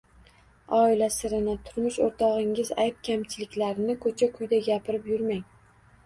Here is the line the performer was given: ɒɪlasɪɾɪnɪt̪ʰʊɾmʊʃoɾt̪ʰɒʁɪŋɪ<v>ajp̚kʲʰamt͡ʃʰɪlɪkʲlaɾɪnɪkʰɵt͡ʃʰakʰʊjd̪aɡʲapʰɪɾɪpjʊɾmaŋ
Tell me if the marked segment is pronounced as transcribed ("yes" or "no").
no